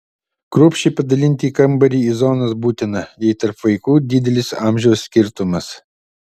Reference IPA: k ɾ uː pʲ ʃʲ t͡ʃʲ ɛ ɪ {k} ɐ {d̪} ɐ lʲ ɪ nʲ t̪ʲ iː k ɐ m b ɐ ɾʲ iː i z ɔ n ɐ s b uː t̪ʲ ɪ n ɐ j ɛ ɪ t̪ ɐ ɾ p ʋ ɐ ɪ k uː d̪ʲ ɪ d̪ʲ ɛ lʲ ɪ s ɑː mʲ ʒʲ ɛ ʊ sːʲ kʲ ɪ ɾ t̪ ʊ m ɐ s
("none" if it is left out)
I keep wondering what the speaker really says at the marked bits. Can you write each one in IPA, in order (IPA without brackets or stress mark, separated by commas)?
p, d̪